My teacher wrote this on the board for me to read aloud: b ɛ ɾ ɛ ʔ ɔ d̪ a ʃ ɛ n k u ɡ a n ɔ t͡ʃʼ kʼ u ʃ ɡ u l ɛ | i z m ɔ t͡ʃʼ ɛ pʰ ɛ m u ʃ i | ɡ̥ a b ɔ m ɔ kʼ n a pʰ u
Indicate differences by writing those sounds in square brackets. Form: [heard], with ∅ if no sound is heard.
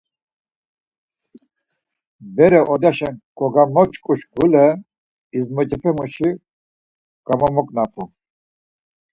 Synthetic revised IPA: b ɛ ɾ ɛ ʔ ɔ d̪ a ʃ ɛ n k [ɔ] ɡ a [m] ɔ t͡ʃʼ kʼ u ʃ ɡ u l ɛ | i z m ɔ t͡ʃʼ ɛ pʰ ɛ m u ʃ i | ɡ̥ a [m] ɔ m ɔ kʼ n a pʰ u